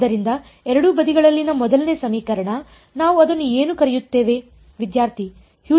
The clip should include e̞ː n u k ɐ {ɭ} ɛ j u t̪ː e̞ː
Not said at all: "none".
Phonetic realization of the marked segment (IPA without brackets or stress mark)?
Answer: ɾ